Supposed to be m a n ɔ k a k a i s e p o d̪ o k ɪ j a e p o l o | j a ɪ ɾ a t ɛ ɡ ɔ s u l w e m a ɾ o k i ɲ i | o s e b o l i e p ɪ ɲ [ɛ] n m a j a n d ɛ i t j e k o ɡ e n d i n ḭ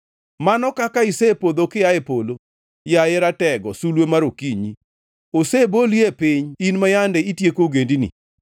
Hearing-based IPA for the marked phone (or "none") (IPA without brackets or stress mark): i